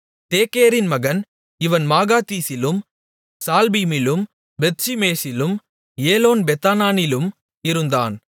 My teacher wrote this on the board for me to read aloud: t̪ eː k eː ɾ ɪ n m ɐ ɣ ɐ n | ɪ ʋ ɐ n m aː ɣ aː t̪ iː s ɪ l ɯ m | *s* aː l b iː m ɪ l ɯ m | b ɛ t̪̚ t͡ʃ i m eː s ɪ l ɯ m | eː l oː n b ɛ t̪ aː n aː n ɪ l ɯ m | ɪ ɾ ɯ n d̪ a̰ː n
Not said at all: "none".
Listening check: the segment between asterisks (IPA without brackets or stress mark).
s